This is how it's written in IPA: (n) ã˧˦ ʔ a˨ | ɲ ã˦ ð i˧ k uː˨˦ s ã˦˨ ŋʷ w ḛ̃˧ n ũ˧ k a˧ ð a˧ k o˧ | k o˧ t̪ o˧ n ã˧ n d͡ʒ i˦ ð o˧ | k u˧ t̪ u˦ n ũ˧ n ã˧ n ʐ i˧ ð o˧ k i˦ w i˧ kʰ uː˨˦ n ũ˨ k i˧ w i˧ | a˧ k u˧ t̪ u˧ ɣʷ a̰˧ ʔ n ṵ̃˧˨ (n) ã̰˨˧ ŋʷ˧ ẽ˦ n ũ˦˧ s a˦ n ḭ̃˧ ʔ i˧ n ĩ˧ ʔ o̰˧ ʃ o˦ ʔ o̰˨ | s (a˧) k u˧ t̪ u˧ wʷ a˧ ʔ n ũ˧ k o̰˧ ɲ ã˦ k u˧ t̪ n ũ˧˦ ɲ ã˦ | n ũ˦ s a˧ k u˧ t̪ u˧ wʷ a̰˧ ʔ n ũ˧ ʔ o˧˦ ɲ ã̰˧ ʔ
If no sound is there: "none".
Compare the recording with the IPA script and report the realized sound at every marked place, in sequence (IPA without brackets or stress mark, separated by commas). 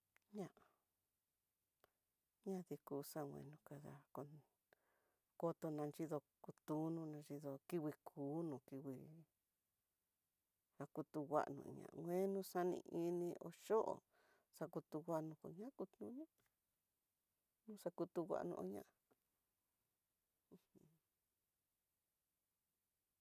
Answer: ɲ, ɲ, a˧